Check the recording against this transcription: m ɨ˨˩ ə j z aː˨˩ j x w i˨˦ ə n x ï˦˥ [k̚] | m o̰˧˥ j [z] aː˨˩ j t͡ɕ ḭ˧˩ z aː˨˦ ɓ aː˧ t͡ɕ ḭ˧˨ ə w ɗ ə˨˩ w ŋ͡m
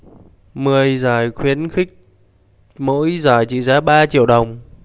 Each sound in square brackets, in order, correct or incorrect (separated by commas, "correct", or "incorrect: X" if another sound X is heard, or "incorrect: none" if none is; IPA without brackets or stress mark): correct, correct